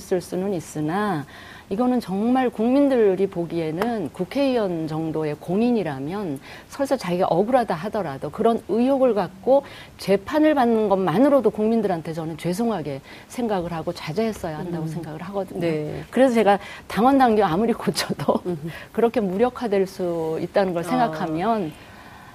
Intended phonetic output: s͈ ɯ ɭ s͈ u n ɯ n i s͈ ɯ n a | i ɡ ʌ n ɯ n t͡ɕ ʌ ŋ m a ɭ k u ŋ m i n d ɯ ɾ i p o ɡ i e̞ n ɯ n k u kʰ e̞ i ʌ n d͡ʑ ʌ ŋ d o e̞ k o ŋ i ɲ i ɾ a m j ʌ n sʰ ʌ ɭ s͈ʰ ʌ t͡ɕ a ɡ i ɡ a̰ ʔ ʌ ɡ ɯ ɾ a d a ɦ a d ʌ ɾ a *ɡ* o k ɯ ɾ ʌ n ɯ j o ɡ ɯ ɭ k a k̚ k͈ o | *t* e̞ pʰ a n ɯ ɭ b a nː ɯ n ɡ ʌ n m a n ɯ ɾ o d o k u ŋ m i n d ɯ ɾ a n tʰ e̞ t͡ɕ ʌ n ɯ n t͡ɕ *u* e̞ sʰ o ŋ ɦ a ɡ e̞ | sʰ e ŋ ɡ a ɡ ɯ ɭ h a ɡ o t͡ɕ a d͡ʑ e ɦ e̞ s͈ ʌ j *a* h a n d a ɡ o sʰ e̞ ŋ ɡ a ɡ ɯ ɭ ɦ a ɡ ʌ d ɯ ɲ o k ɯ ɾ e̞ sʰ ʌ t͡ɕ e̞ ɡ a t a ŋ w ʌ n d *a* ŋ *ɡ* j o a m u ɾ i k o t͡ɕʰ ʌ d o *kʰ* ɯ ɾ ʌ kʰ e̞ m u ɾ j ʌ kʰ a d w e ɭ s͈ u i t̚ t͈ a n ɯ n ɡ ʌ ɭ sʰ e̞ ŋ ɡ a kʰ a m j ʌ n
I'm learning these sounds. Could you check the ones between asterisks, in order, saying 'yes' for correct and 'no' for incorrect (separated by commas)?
no, no, no, yes, yes, yes, no